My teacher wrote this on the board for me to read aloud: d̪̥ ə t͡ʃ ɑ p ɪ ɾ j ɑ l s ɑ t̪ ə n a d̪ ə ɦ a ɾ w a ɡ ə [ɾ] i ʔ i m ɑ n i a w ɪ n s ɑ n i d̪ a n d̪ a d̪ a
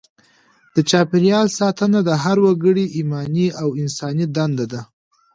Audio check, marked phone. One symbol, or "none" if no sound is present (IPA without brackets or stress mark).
ɽ